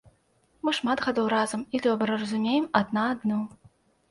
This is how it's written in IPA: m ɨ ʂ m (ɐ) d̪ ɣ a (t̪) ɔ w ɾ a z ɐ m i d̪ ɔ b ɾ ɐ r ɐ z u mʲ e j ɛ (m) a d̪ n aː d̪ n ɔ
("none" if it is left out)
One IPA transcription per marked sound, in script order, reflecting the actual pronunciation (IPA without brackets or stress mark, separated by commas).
a, d̪, m